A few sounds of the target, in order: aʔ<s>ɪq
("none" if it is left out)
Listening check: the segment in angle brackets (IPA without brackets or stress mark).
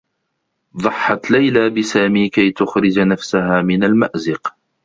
z